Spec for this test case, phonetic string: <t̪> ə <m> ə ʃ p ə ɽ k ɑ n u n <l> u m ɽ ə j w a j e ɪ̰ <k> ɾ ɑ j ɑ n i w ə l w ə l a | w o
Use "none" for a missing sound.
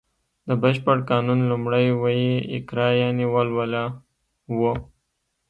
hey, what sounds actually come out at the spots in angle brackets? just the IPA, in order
d̪, b, l, k

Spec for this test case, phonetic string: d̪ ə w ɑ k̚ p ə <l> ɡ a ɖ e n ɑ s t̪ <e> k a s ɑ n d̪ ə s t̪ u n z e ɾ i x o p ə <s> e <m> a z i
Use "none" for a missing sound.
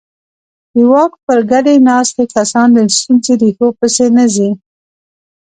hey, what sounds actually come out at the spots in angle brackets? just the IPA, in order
ɾ, e, s, n

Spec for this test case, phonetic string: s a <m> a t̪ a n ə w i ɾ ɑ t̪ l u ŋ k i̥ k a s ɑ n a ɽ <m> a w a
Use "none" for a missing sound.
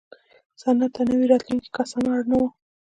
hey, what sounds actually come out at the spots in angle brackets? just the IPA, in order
n, n

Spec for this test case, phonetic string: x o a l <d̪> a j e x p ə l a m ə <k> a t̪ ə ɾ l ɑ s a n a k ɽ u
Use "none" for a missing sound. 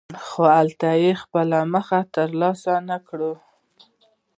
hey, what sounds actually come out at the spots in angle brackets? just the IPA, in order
t̪, x

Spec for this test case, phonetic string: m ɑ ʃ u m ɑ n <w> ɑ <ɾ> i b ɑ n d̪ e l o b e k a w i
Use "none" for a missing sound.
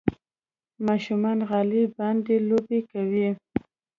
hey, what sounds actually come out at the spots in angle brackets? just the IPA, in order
ɣ, l

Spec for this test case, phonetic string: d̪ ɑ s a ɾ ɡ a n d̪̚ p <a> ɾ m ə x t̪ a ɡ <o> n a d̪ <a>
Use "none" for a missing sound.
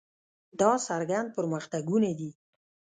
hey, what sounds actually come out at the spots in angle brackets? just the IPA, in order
ə, u, i

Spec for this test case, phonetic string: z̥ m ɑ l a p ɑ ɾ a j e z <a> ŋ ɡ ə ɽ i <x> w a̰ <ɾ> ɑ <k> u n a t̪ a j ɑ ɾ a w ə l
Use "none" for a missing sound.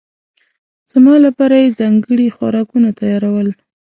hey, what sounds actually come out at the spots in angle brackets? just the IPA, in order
ɑ, x, ɾ, k

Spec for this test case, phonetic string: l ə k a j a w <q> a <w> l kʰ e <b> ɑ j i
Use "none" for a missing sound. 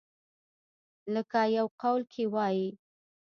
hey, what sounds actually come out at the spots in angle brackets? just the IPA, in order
q, w, w

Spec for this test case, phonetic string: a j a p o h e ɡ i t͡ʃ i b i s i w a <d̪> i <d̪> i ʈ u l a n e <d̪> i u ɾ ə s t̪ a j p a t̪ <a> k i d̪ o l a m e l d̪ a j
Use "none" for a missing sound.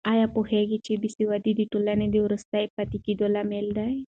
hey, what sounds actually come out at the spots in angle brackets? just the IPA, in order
d̪, d̪, d̪, i

